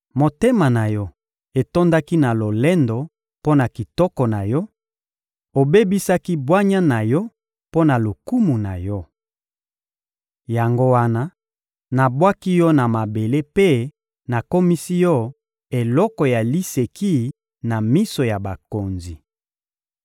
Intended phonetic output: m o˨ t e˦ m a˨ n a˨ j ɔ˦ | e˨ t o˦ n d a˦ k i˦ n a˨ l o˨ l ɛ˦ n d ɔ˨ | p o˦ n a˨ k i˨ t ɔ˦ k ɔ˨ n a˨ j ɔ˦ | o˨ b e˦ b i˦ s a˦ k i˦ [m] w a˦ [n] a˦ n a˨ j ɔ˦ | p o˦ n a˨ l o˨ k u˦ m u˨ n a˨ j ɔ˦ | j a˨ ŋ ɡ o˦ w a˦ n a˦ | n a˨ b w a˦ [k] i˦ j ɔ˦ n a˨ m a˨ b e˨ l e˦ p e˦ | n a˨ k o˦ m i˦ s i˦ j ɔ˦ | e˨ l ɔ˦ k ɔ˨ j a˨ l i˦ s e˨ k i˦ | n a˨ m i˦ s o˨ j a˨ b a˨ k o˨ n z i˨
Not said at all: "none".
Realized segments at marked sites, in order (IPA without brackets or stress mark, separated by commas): b, ɲ, k